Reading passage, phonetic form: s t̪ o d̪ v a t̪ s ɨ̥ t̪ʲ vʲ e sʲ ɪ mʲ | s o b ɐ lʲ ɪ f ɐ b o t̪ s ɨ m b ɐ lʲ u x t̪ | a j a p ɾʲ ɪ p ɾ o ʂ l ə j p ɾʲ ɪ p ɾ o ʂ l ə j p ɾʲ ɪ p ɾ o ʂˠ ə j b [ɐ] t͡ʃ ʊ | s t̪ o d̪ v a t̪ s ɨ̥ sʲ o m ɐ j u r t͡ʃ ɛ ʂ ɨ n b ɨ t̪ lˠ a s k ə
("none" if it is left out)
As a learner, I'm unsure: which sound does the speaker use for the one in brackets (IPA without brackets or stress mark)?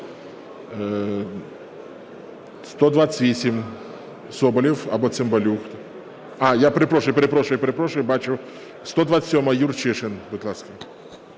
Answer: a